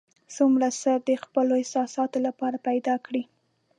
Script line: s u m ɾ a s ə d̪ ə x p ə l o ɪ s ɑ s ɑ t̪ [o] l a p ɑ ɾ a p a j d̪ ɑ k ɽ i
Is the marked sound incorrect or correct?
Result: correct